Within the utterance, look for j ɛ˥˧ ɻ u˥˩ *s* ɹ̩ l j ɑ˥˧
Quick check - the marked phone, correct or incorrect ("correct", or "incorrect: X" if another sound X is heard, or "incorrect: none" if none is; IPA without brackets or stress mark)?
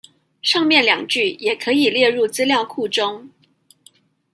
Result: incorrect: t͡s